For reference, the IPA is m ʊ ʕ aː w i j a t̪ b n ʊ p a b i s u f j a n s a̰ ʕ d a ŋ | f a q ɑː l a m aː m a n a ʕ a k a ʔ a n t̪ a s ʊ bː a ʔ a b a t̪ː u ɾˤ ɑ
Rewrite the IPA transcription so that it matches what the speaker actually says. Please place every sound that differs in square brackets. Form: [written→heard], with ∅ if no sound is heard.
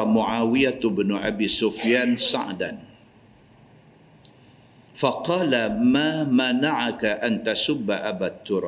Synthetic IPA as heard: m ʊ ʕ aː w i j a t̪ b n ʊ [p→ʔ] a b i s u f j a n s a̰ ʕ d a [ŋ→n] | f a q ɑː l a m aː m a n a ʕ a k a ʔ a n t̪ a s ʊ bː a ʔ a b a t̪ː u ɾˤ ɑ